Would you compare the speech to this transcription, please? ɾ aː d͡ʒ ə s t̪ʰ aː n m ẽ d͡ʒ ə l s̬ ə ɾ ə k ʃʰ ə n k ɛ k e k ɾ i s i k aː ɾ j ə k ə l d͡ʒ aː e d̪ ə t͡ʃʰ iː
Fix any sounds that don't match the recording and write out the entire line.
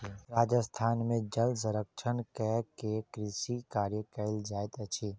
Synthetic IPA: ɾ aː d͡ʒ ə s t̪ʰ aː n m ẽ d͡ʒ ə l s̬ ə ɾ ə k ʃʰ ə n k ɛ k e k ɾ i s i k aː ɾ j ə k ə l d͡ʒ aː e t̪ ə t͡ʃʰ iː

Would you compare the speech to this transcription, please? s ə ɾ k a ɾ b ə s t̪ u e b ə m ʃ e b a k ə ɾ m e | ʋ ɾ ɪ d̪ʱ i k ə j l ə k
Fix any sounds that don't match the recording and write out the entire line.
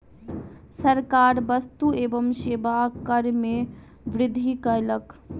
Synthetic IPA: s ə ɾ k a ɾ b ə s t̪ u e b ə m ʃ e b a k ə ɾ m e | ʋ ɾ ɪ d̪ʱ i k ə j l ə k

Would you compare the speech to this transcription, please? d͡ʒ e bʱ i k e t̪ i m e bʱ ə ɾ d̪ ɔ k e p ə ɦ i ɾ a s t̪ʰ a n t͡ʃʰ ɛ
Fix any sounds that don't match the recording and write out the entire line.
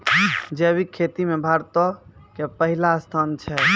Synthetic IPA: d͡ʒ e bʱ i kʰ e t̪ i m e bʱ a ɾ t̪ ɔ k e p ə ɦ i l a s t̪ʰ a n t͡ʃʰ ɛ

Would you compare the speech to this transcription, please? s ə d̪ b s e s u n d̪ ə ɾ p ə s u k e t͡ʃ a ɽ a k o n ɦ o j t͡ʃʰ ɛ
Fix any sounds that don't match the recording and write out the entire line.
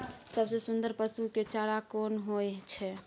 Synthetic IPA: s ə b s e s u n d̪ ə ɾ p ə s u k e t͡ʃ a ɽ a k o n ɦ o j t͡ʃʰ ɛ

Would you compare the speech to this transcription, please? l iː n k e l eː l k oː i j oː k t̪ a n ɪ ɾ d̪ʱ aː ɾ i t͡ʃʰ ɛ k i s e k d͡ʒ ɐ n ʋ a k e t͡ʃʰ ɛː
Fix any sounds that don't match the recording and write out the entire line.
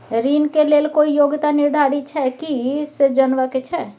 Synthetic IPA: ɾ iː n k e l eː l k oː i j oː ɡ t̪ a n ɪ ɾ d̪ʱ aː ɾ i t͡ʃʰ ɛ k i s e d͡ʒ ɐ n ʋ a k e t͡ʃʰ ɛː

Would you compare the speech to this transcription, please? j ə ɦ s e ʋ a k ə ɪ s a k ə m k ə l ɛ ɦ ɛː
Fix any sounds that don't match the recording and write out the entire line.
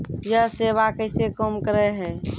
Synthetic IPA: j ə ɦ s e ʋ a k ə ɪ s e k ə m k ə ɾ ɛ ɦ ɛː

